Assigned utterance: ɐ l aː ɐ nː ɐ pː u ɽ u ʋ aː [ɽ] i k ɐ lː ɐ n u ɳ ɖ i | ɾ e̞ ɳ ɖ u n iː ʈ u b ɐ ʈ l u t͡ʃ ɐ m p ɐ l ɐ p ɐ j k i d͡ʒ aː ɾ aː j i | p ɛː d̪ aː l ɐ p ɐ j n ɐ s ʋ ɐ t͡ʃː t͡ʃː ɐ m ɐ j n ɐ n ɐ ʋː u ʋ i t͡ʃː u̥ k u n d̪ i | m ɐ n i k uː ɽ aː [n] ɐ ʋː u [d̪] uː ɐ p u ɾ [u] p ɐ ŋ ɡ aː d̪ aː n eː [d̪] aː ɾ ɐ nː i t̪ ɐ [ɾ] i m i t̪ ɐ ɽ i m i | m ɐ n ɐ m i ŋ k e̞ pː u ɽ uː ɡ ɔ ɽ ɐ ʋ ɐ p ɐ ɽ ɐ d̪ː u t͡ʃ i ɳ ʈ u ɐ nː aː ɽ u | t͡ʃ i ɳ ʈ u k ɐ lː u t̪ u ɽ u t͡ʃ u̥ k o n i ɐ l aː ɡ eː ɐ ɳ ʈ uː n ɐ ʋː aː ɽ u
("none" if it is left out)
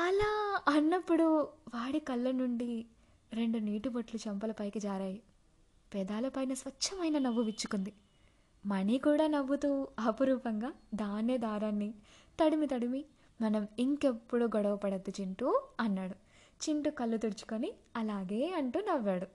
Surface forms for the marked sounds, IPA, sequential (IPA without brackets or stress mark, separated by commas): ɽ, n, t̪, uː, d̪, ɽ